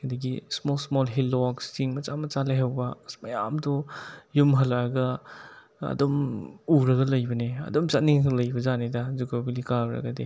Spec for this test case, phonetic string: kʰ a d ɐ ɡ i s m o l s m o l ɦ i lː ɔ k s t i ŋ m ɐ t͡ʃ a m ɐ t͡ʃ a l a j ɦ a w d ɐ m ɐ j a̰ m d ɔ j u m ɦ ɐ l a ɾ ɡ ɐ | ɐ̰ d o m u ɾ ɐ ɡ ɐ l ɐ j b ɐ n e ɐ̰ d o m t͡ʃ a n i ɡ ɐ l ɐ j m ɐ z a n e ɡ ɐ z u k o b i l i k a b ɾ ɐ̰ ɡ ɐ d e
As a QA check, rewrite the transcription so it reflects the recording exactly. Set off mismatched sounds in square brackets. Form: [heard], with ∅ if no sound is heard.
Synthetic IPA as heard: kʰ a d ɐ ɡ i s m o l s m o l ɦ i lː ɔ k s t i ŋ m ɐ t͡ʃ a m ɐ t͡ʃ a l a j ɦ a w [b] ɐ m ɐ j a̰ m d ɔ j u m ɦ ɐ l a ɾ ɡ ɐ | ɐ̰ d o m u ɾ ɐ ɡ ɐ l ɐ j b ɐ n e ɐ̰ d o m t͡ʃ a n i [ŋ] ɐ l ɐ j [b] ɐ z a n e [d] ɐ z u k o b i l i k a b ɾ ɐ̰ ɡ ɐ d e